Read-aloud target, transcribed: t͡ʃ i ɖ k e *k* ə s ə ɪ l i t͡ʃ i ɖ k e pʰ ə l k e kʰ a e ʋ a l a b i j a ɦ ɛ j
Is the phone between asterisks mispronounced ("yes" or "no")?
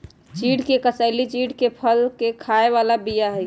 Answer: no